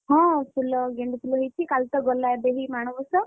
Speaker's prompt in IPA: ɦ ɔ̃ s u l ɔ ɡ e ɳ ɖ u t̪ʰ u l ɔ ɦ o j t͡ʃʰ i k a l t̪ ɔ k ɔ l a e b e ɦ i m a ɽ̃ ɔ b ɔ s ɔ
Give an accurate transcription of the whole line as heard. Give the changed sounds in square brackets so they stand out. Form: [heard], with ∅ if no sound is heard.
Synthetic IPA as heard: ɦ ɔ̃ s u l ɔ ɡ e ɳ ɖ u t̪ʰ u l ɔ ɦ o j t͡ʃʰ i k a l t̪ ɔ [ɡ] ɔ l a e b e ɦ i m a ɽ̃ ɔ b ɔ s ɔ